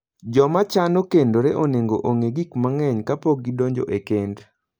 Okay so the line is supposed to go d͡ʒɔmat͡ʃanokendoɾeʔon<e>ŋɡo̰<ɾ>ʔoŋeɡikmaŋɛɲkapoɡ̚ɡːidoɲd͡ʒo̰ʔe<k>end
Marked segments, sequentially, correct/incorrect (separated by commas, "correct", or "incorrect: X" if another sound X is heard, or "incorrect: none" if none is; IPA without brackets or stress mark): correct, incorrect: none, correct